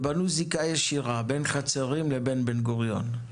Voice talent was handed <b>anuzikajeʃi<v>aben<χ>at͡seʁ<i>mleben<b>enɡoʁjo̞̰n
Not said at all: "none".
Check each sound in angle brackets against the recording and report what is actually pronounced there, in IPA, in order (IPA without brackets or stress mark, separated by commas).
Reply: b, ʁ, χ, i, b